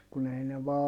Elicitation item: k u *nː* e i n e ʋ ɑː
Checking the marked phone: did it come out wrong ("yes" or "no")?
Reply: yes